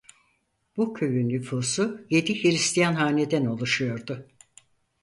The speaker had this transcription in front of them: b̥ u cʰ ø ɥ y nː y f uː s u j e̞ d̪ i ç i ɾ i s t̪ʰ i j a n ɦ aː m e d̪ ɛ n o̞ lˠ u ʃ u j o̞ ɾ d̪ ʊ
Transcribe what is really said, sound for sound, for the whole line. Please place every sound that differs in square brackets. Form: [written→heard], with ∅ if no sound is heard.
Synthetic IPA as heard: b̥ u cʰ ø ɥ y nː y f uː s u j e̞ d̪ i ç i ɾ i s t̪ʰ i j a n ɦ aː [m→n] e d̪ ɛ n o̞ lˠ u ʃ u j o̞ ɾ d̪ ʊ